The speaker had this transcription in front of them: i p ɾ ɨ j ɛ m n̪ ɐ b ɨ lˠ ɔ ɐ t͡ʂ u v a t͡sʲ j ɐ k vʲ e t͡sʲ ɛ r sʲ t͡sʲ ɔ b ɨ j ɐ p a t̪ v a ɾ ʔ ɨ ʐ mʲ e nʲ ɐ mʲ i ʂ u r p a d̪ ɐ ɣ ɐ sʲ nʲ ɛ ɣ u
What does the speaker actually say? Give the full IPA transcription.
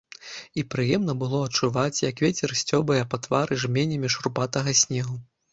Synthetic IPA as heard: i p ɾ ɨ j ɛ m n̪ ɐ b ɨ lˠ ɔ ɐ t͡ʂ u v a t͡sʲ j ɐ k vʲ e t͡sʲ ɛ r sʲ t͡sʲ ɔ b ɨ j ɐ p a t̪ v a ɾ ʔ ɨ ʐ mʲ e nʲ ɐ mʲ i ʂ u r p a t̪ ɐ ɣ ɐ sʲ nʲ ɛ ɣ u